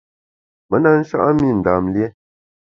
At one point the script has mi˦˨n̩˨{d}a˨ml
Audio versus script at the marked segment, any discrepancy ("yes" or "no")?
no